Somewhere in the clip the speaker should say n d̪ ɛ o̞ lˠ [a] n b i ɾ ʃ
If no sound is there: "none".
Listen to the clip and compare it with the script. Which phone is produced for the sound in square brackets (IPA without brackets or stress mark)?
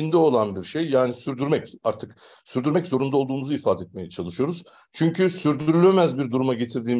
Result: a